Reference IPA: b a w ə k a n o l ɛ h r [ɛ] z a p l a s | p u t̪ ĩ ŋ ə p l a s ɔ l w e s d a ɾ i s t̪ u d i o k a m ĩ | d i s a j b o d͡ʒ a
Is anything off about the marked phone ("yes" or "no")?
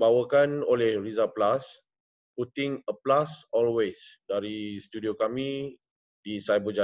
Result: yes